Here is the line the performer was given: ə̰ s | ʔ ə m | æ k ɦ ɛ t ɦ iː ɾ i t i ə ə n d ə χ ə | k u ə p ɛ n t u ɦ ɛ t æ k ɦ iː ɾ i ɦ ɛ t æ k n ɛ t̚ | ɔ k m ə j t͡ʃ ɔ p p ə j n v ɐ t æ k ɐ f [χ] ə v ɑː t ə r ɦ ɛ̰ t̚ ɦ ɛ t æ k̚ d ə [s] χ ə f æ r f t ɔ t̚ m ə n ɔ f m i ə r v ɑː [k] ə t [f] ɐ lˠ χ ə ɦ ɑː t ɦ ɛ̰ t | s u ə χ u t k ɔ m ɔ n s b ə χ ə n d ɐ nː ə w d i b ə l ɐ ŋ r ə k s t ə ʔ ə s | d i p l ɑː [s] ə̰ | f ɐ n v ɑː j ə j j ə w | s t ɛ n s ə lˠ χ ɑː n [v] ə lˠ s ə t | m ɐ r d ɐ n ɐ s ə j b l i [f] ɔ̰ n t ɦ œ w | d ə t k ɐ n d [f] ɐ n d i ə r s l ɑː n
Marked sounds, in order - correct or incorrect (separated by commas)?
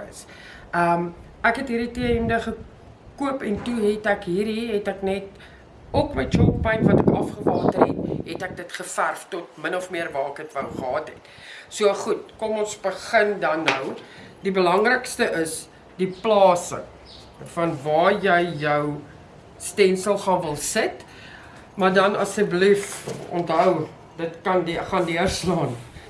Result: correct, incorrect, correct, incorrect, correct, correct, correct, incorrect